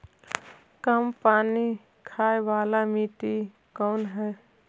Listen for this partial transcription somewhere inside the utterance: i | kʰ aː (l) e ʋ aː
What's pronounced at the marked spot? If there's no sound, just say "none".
none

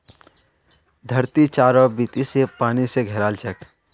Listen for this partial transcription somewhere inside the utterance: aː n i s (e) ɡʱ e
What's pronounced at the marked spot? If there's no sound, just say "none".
e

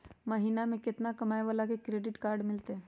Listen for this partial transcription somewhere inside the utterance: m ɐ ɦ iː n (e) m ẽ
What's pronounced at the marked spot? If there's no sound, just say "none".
a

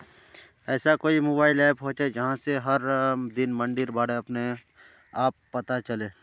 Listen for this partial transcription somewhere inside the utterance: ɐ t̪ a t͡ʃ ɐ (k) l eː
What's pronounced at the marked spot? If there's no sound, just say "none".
none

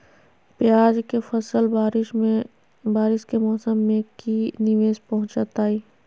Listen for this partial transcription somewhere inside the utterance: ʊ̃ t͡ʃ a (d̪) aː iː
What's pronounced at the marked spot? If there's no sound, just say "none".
t̪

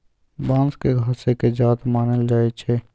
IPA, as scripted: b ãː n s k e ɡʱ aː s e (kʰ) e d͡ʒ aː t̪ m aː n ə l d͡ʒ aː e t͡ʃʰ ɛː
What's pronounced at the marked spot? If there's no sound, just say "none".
k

